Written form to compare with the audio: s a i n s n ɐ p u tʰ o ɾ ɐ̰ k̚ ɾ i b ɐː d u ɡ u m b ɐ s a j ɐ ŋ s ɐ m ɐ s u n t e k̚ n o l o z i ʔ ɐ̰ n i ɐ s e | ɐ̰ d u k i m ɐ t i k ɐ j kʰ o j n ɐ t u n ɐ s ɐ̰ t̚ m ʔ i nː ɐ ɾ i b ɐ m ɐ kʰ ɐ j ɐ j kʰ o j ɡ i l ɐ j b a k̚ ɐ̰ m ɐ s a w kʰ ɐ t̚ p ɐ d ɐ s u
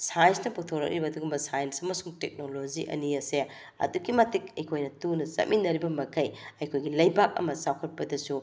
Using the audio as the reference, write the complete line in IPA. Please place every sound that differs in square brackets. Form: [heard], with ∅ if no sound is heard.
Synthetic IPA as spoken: s a [j] n s n ɐ p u tʰ o ɾ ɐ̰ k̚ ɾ i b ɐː d u ɡ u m b ɐ s a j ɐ [n] s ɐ m ɐ s u [ŋ] t e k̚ n o l o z i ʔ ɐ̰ n i ɐ s e | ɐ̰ d u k i m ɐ t i k ɐ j kʰ o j n ɐ t u n ɐ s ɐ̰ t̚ m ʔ i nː ɐ ɾ i b ɐ m ɐ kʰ ɐ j ɐ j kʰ o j ɡ i l ɐ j b a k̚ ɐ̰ m ɐ s a w kʰ ɐ t̚ p ɐ d ɐ s u